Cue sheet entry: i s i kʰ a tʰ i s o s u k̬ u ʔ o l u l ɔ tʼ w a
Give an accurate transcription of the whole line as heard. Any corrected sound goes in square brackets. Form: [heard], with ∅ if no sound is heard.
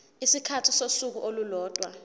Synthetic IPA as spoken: i s i kʰ a tʰ i s o s u k̬ u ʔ o l u l [ɔː] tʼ w a